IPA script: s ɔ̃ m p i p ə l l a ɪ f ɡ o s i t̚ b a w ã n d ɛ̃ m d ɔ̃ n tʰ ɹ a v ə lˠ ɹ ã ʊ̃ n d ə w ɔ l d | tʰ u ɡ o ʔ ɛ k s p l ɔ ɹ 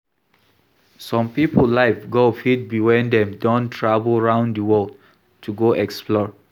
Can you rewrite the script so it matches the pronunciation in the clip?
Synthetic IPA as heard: s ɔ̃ m p i p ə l l a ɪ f ɡ o f i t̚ b i w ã n d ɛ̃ m d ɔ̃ n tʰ ɹ a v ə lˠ ɹ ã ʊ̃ n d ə w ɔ l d | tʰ u ɡ o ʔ ɛ k s p l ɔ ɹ